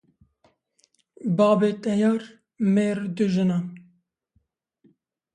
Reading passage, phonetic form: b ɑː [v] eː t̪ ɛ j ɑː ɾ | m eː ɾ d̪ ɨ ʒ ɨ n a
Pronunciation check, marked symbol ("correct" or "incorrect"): incorrect